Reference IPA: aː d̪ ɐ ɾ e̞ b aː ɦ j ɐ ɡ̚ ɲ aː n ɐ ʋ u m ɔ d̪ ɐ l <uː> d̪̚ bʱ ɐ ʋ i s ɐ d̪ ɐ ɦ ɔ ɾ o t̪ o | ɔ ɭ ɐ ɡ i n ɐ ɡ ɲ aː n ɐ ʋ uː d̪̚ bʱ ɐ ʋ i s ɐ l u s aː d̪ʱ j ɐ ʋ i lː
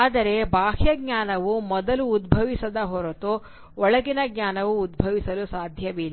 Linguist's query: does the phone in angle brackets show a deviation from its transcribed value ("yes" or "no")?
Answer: no